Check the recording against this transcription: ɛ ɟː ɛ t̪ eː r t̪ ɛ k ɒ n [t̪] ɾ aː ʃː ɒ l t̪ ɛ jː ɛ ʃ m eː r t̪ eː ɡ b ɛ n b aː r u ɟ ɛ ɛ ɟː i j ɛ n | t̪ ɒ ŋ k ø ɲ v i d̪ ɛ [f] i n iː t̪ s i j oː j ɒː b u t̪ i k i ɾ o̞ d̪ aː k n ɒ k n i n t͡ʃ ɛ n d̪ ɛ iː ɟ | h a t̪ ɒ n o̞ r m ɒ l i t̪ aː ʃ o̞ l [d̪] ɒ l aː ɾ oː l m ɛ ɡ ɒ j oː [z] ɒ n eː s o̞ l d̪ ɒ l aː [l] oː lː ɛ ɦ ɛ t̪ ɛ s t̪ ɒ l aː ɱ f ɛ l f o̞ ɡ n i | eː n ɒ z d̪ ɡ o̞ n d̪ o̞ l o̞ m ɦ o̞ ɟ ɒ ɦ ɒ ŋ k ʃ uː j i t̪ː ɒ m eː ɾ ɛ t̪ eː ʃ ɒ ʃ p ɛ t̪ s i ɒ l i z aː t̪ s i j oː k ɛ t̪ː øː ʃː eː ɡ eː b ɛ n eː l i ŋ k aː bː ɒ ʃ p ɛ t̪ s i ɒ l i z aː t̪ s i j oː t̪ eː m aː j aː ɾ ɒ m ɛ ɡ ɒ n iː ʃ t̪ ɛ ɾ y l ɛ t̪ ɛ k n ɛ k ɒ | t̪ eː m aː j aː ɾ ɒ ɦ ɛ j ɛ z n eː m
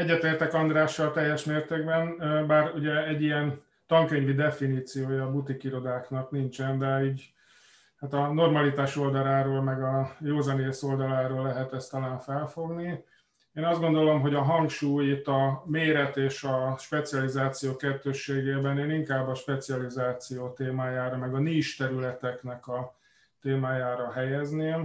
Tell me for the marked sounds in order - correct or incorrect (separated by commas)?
incorrect, correct, correct, correct, incorrect